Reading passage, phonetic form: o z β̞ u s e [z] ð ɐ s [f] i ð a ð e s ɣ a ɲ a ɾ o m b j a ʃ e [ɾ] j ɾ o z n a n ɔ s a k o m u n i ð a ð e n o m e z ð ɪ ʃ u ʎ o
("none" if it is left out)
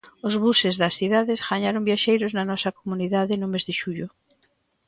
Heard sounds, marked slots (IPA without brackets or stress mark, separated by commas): z, θ, none